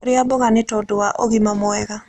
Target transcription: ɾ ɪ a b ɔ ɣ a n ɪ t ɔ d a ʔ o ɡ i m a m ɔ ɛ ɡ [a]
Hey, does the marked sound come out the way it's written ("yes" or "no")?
yes